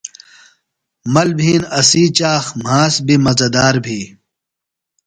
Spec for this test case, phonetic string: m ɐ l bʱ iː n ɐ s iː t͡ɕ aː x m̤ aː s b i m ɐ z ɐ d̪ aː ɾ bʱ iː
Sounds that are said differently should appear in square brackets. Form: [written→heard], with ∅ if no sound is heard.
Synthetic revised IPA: m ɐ l bʱ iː n ɐ s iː t͡ɕ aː x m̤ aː s b i m ɐ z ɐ d̪ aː ɾ bʱ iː